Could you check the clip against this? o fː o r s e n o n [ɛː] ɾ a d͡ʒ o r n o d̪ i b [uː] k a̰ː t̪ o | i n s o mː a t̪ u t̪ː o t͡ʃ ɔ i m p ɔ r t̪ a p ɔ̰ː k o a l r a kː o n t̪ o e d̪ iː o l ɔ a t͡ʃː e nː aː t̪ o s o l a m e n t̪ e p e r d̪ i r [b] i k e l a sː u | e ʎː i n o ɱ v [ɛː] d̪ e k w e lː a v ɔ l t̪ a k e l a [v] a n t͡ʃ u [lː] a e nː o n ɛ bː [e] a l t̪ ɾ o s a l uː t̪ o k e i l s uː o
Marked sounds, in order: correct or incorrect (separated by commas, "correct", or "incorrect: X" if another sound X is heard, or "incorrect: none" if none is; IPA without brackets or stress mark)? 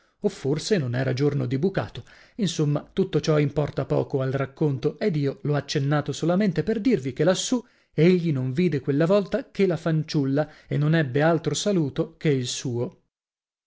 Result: correct, incorrect: u, incorrect: v, incorrect: iː, incorrect: f, correct, correct